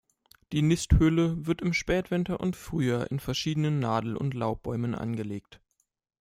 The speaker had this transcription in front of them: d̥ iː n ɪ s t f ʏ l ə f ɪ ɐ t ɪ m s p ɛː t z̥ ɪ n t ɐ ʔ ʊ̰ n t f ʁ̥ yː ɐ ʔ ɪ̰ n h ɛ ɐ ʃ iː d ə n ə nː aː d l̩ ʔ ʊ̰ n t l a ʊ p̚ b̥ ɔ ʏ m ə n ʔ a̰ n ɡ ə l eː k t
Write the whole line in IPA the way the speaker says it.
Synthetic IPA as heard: d̥ iː n ɪ s t h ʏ l ə v ɪ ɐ t ɪ m ʃ p ɛː t v̥ ɪ n t ɐ ʔ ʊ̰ n t f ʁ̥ yː ɐ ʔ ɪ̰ n f ɛ ɐ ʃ iː d ə n ə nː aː d l̩ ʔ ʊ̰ n t l a ʊ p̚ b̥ ɔ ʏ m ə n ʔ a̰ n ɡ ə l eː k t